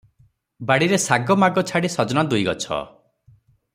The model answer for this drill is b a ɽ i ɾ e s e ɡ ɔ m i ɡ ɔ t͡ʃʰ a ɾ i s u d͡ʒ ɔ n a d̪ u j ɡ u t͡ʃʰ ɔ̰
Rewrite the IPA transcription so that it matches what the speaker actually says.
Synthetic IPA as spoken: b a ɽ i ɾ e s a ɡ ɔ m a ɡ ɔ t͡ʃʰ a ɽ i s ɔ d͡ʒ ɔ n a d̪ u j ɡ ɔ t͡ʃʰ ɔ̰